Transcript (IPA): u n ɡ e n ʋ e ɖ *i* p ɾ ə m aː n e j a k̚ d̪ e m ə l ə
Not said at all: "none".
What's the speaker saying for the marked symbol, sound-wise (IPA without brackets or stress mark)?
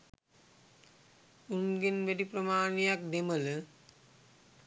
i